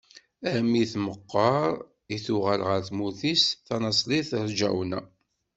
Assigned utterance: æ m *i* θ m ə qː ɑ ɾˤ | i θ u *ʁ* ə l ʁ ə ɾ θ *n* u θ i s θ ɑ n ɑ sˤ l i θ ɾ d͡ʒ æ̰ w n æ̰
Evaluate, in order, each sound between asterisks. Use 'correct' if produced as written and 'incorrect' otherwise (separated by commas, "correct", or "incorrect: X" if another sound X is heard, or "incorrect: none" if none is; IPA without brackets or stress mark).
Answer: correct, correct, incorrect: m